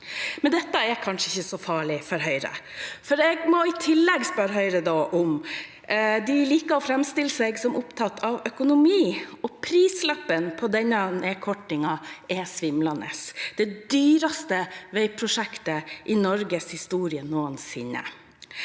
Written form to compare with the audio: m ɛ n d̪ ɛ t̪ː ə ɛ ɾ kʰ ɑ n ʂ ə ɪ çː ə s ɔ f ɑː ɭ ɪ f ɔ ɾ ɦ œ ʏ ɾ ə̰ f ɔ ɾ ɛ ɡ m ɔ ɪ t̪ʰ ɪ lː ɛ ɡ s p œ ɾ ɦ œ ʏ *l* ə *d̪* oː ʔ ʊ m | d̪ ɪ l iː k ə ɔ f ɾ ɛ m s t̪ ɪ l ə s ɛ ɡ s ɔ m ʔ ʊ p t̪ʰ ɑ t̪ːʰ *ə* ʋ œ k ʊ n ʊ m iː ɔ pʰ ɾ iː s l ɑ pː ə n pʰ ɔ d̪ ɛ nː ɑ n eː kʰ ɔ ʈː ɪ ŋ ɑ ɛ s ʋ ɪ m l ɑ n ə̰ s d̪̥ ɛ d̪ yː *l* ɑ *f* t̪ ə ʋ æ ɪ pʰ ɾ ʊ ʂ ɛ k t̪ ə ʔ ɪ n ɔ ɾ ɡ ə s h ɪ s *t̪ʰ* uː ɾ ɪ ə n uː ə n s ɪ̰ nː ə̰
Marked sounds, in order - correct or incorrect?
incorrect: ɾ, correct, incorrect: ɑ, incorrect: ɾ, incorrect: s, incorrect: t̪

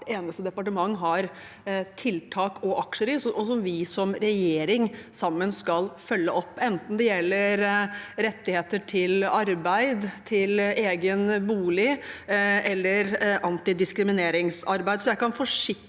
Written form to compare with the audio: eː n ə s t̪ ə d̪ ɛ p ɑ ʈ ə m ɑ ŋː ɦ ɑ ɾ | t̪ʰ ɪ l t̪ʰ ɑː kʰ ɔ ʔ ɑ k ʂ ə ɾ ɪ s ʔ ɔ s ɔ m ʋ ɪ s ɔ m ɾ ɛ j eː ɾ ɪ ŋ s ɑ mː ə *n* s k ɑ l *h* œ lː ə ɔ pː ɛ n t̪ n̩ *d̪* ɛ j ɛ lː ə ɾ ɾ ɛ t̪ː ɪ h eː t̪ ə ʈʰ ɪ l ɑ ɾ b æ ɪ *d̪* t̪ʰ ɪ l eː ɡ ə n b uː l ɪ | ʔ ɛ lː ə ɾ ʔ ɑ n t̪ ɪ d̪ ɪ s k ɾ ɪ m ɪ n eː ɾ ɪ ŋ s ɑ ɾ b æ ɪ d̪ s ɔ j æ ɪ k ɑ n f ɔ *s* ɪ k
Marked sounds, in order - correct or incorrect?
correct, incorrect: f, correct, correct, incorrect: ʂ

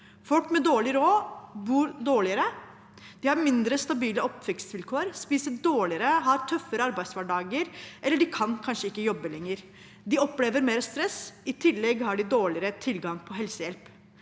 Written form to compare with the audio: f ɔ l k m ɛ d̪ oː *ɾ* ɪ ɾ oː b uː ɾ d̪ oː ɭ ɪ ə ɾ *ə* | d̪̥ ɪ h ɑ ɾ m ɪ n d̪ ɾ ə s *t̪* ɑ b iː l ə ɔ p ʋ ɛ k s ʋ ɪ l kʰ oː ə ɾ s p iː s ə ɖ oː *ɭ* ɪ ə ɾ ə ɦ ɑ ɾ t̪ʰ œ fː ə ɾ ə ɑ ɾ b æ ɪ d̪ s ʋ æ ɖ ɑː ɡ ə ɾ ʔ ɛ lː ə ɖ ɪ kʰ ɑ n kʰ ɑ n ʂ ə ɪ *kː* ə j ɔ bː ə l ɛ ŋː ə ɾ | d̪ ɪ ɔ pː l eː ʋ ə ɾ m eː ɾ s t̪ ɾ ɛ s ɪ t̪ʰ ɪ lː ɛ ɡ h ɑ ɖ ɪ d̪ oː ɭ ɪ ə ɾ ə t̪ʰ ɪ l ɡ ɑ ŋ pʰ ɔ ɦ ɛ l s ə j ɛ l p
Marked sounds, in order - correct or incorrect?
incorrect: ɭ, correct, correct, correct, correct

